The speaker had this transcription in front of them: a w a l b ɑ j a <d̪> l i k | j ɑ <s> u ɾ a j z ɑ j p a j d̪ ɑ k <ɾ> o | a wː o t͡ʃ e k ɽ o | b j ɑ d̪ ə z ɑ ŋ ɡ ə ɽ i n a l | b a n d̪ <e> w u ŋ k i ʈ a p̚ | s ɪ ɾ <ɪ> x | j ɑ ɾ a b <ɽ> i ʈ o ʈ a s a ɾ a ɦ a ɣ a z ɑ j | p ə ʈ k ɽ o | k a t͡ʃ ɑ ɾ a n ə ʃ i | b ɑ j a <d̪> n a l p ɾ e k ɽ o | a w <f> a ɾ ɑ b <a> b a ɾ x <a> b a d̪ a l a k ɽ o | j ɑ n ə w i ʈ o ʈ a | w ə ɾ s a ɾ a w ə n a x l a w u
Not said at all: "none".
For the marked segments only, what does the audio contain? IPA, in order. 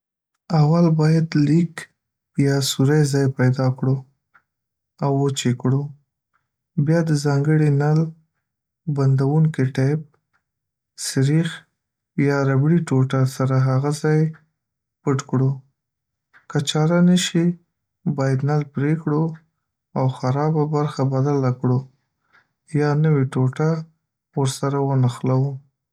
d̪, s, ɽ, a, i, ɽ, d̪, x, a, a

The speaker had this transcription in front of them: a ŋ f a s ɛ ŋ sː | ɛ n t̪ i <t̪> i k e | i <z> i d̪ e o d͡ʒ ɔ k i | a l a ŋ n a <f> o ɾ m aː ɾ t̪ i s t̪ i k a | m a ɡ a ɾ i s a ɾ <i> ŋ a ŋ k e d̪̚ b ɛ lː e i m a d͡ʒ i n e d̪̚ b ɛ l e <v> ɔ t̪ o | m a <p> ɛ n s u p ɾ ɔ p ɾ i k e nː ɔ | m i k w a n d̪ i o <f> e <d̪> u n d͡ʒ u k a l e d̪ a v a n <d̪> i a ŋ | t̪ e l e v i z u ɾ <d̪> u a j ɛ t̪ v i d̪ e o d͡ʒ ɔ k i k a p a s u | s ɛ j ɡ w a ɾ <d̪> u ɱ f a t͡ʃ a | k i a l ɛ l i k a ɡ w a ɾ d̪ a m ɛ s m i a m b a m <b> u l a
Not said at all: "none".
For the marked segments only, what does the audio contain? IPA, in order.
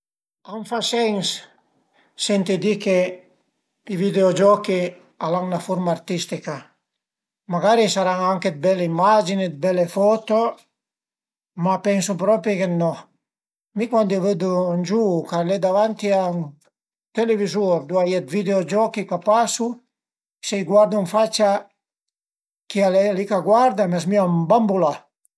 d̪, v, f, a, f, p, v, d̪, t̪, d̪, d̪, b

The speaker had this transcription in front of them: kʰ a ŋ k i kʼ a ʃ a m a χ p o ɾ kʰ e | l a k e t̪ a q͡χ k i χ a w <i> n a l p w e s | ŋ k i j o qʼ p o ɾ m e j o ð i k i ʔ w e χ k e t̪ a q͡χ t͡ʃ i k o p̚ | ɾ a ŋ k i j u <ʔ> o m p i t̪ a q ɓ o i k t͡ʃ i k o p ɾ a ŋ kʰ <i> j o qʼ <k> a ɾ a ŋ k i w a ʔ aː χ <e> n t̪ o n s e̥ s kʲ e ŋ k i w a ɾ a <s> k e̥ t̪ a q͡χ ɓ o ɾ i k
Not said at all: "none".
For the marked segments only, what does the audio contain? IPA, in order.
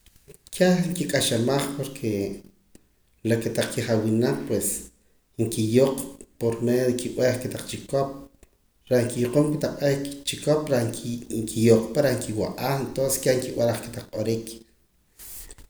i, q, i, p, e, χ

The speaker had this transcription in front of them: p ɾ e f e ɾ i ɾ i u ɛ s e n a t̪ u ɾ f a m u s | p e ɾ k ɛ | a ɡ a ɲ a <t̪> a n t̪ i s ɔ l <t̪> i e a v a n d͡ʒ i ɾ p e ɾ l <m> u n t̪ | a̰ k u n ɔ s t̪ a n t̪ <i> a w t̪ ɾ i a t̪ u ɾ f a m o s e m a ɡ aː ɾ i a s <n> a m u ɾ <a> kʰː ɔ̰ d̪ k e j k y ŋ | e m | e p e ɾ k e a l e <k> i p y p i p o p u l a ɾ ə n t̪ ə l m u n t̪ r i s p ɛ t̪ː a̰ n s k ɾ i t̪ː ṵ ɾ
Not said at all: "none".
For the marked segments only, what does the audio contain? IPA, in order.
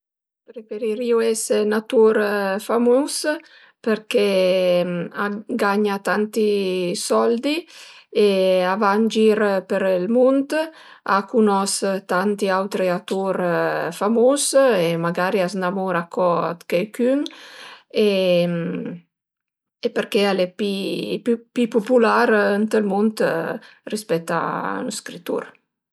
t̪, d̪, m, i, n, a, p

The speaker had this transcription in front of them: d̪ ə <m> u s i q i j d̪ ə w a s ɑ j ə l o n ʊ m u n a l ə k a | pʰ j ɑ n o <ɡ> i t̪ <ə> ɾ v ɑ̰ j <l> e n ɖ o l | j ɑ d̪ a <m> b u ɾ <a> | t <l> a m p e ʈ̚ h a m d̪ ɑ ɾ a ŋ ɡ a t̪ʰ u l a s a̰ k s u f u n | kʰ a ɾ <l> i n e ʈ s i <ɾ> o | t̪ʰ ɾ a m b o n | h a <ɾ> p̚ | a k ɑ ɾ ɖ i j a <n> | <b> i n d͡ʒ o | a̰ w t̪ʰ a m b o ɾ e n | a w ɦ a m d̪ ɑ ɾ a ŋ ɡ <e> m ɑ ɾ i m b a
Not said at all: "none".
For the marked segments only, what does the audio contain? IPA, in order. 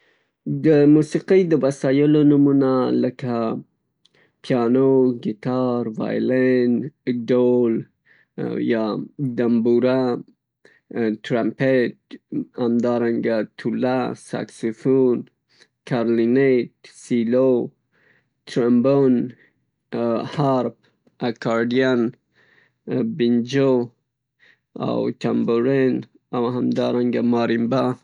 m, ɡ, ɑ, l, m, a, ɾ, l, l, ɾ, n, b, a

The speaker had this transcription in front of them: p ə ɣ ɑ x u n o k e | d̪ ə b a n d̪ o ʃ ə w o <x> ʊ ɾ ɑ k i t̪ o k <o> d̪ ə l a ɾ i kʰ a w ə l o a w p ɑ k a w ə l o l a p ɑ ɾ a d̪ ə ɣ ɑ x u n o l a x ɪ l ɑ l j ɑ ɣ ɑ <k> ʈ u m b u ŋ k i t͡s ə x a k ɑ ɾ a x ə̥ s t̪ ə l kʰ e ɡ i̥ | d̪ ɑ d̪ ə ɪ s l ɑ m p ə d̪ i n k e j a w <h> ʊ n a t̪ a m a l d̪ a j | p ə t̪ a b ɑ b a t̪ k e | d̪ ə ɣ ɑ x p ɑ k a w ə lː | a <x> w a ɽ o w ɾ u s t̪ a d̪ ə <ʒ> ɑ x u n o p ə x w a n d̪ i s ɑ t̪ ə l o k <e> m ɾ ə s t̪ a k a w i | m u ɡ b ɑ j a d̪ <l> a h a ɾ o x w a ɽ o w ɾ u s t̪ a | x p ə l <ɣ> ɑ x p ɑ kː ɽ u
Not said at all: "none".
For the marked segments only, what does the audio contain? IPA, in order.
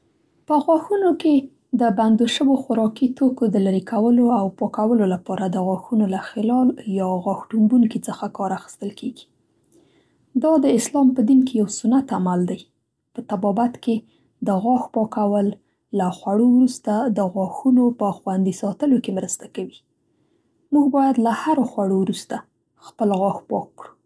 x, o, x, s, x, ɣ, e, l, ɣ

